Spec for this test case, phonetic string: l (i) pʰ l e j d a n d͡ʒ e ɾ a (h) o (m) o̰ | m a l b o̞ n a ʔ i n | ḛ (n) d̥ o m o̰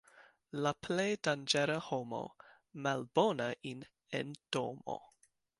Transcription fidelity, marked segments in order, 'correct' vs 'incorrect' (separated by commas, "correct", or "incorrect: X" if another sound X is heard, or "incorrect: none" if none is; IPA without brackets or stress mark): incorrect: a, correct, correct, correct